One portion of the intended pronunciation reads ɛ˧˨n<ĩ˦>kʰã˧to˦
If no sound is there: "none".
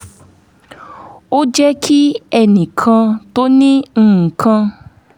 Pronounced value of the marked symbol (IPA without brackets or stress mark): ĩ˨